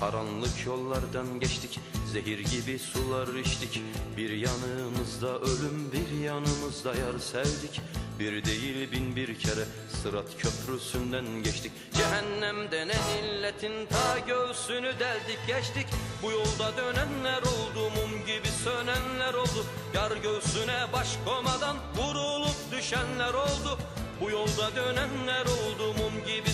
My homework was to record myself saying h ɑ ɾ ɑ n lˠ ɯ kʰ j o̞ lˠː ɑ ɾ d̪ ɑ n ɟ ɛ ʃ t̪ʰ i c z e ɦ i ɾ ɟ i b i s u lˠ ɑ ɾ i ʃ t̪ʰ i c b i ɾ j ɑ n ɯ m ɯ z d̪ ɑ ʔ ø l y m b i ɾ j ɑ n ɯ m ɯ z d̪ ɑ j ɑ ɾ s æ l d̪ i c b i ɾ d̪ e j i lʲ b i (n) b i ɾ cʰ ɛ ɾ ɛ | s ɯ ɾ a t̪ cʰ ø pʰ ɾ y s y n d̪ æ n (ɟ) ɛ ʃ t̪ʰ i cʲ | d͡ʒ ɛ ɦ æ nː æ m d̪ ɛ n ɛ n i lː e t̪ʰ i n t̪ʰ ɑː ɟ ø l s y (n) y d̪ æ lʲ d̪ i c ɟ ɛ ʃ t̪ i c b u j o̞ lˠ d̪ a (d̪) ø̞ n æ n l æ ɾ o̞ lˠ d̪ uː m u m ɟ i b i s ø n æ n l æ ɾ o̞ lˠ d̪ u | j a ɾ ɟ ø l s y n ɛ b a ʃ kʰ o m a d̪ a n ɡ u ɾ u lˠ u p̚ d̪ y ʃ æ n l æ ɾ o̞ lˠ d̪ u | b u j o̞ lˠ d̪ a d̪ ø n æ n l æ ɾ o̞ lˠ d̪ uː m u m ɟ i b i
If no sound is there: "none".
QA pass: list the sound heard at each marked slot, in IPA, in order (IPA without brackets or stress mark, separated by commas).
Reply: n, ɟ, n, d̪